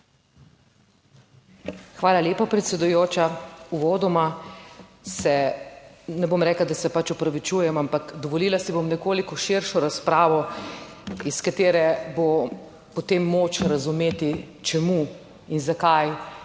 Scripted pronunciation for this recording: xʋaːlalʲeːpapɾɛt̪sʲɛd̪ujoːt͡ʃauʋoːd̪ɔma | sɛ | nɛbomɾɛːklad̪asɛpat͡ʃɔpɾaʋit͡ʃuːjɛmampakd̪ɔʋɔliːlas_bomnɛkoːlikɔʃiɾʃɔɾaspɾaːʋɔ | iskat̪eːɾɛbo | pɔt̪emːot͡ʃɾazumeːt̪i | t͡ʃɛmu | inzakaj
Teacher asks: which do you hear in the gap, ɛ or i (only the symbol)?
i